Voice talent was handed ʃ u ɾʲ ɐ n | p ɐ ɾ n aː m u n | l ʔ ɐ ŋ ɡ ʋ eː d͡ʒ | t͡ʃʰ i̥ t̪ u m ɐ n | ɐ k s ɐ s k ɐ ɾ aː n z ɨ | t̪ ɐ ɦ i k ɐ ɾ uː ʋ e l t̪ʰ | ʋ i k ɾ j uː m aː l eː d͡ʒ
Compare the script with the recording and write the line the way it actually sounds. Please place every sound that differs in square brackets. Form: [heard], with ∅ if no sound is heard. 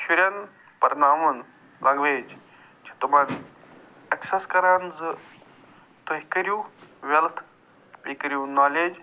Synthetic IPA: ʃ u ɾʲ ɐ n | p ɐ ɾ n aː m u n | l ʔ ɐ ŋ ɡ ʋ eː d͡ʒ | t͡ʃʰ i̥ t̪ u m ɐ n | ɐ k s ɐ s k ɐ ɾ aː n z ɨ | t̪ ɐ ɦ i k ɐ ɾ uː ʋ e l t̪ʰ | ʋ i k ɾ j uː [n] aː l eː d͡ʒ